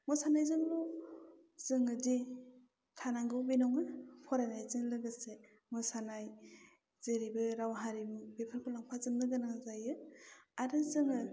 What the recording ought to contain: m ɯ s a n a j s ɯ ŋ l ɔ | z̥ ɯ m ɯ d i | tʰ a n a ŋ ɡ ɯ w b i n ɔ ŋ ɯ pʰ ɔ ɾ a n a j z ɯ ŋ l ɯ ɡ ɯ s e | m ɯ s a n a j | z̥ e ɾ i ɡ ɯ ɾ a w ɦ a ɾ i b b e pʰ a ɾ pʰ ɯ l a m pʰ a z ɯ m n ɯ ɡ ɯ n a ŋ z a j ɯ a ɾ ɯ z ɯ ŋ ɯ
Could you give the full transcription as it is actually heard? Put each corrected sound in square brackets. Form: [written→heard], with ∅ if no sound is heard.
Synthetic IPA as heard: m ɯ s a n a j [s→z] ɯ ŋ l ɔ | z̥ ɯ [m→ŋ] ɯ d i | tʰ a n a ŋ ɡ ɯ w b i n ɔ ŋ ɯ pʰ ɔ ɾ a n a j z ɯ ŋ l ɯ ɡ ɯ s e | m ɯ s a n a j | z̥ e ɾ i [ɡ→b] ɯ ɾ a w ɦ a ɾ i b b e pʰ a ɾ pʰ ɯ l a [m→ŋ] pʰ a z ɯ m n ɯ ɡ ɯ n a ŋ z a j ɯ a ɾ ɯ z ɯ ŋ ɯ